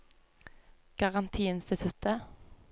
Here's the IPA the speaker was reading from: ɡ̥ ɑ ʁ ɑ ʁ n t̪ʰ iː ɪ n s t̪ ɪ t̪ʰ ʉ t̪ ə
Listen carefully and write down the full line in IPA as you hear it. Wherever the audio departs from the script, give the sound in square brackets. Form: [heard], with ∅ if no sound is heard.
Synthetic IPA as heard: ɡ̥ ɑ ʁ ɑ [∅] n t̪ʰ iː ɪ n s t̪ ɪ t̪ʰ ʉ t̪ ə